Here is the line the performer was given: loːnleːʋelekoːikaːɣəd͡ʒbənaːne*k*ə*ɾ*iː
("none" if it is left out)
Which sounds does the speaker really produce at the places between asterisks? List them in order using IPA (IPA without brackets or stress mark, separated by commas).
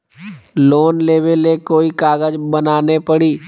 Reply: p, ɽ